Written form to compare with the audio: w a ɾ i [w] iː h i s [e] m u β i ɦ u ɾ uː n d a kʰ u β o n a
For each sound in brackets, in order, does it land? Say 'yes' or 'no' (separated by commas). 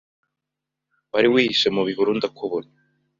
yes, yes